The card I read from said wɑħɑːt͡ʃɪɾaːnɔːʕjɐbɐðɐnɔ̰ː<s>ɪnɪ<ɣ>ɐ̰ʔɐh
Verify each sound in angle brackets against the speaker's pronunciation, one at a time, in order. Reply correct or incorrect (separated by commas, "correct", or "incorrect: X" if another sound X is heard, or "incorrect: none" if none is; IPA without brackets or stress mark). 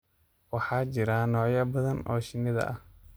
incorrect: ʃ, incorrect: ð